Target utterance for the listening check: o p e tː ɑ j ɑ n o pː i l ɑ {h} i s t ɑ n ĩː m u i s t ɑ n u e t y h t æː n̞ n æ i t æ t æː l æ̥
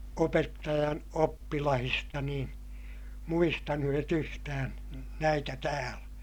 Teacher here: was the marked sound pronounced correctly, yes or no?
yes